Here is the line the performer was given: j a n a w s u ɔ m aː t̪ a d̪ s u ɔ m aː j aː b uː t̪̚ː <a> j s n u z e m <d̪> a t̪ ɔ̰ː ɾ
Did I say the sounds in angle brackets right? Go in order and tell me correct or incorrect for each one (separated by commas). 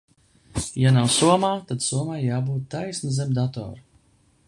correct, correct